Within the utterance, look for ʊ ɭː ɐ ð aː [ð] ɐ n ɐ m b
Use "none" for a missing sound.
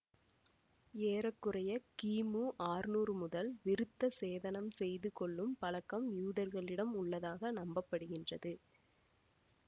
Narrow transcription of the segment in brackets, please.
ɣ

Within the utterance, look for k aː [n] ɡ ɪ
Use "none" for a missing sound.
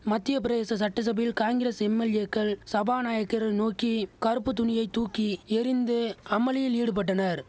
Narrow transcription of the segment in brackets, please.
ŋ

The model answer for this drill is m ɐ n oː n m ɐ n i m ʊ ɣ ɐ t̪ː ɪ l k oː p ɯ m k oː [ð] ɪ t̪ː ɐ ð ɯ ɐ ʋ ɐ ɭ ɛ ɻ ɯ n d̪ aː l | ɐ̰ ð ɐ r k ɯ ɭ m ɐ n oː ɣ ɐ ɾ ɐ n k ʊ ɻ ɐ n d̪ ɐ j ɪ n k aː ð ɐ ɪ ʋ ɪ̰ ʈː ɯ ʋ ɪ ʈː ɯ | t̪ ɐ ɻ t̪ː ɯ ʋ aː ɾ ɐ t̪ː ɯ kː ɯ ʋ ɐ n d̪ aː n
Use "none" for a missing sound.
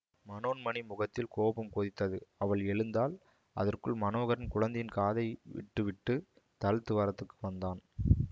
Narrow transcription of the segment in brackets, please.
ð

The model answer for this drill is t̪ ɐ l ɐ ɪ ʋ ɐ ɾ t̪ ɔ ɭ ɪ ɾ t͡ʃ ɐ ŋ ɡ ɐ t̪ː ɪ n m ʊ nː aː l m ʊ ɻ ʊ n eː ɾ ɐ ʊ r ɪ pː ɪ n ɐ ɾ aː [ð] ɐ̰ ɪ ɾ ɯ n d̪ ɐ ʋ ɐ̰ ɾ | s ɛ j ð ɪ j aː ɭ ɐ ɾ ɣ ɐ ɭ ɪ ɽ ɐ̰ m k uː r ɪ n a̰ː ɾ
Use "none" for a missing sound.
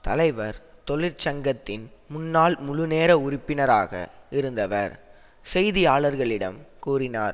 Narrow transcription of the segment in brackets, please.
ɣ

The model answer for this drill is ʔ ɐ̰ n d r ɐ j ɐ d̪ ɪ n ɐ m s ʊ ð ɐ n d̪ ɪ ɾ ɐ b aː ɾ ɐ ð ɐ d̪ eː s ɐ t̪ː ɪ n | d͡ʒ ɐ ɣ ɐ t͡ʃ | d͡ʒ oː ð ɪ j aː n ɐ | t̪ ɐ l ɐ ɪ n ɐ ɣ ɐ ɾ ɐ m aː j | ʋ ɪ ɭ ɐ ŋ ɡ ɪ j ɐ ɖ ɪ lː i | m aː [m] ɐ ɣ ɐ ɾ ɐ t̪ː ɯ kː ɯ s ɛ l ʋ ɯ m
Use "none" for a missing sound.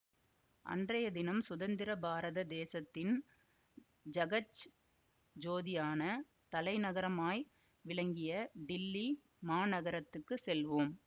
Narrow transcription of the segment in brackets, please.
n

